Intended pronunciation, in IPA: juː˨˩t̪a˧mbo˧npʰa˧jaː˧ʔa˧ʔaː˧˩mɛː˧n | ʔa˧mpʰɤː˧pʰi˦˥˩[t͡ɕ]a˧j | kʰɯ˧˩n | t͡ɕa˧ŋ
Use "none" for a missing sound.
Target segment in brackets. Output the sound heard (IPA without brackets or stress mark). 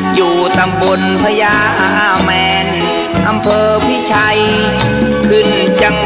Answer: t͡ɕʰ